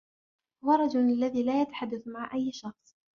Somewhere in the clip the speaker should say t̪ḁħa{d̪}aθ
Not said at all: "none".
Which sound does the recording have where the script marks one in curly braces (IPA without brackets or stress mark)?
d̪ː